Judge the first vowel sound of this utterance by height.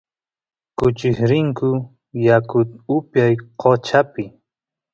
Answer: high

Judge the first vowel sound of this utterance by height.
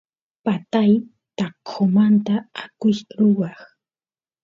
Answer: low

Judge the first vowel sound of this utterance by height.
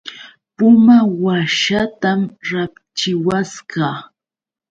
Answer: high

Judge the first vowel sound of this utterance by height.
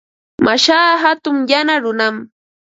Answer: low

